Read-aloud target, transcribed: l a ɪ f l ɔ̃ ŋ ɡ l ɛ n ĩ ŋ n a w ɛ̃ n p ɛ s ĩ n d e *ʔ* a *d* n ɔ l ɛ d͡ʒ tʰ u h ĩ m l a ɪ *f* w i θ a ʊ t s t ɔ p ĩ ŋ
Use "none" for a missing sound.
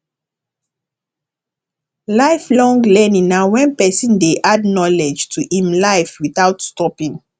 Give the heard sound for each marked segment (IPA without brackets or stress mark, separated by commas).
ʔ, d, f